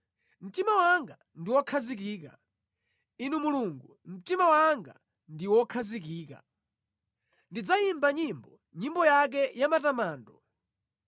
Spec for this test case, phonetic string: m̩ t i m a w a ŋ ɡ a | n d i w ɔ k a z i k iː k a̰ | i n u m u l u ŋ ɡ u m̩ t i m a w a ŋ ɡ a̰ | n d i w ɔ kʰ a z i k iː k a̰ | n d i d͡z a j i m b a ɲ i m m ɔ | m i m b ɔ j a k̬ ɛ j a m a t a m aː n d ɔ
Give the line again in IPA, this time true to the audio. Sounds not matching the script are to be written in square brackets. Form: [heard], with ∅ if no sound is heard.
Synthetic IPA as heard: m̩ t i m a w a ŋ ɡ a | n d i w ɔ [kʰ] a z i k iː k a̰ | i n u m u l u ŋ ɡ u m̩ t i m a w a ŋ ɡ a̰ | n d i w ɔ kʰ a z i k iː k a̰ | n d i d͡z a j i m b a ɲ i m [b] ɔ | [ɲ] i m b ɔ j a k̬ ɛ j a m a t a m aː n d ɔ